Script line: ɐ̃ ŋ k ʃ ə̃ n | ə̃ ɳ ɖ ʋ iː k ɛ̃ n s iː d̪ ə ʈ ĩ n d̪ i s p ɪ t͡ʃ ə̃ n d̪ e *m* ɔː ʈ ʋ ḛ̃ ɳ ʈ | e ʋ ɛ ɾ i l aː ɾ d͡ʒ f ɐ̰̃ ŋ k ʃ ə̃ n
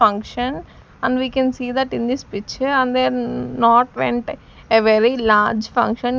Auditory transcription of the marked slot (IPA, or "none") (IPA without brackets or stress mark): n